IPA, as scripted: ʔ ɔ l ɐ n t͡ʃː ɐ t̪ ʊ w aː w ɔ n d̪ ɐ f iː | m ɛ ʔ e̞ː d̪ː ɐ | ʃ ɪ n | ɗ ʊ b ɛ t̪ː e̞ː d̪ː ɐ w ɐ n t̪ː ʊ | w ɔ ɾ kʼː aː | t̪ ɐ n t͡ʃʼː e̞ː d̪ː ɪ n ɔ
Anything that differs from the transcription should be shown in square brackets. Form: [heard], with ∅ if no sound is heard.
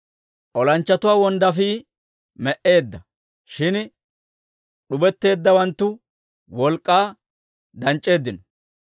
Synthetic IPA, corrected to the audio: ʔ ɔ l ɐ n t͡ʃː ɐ t̪ ʊ w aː w ɔ n d̪ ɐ f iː | m ɛ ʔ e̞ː d̪ː ɐ | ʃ ɪ n | ɗ ʊ b ɛ t̪ː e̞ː d̪ː ɐ w ɐ n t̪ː ʊ | w ɔ [l] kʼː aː | [d̪] ɐ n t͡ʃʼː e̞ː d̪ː ɪ n ɔ